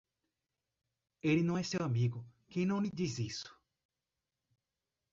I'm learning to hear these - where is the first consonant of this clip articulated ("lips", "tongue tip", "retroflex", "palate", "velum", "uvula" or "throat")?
tongue tip